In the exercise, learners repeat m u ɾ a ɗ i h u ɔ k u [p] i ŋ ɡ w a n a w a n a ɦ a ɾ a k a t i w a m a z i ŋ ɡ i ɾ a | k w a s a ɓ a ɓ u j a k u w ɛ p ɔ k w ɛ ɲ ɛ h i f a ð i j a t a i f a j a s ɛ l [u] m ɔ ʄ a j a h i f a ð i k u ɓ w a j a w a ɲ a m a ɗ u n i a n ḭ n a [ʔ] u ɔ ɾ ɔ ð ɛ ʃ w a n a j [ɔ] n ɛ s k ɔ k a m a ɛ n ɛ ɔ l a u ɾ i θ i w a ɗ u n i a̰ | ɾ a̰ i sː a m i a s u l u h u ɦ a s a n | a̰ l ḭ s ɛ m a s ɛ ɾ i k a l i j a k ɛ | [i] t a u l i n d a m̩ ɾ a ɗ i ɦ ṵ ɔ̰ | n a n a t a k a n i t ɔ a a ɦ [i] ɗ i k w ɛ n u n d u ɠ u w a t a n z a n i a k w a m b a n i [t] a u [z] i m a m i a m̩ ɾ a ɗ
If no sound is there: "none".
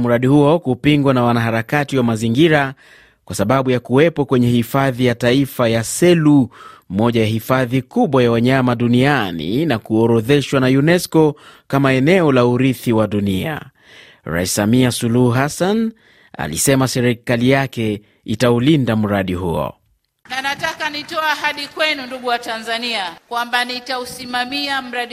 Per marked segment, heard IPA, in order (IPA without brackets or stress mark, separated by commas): p, u, k, u, i, a, t, s